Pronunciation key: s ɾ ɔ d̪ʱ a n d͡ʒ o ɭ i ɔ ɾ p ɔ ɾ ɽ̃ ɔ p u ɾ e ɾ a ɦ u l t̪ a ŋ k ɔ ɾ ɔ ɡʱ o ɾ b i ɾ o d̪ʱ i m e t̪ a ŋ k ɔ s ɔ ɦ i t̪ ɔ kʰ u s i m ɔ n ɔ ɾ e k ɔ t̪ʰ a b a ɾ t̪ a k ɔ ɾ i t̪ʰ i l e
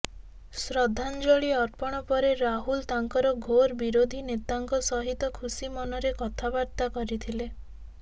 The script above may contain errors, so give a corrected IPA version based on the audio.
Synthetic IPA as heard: s ɾ ɔ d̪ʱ a n d͡ʒ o ɭ i ɔ ɾ p ɔ ɽ̃ ɔ p ɔ ɾ e ɾ a ɦ u l t̪ a ŋ k ɔ ɾ ɔ ɡʱ o ɾ b i ɾ o d̪ʱ i n e t̪ a ŋ k ɔ s ɔ ɦ i t̪ ɔ kʰ u s i m ɔ n ɔ ɾ e k ɔ t̪ʰ a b a ɾ t̪ a k ɔ ɾ i t̪ʰ i l e